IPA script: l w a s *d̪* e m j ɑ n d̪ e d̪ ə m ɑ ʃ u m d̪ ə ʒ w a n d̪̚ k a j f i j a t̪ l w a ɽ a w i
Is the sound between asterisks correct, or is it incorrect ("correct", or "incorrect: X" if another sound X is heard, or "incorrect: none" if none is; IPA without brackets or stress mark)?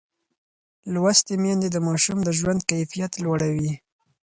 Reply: incorrect: t̪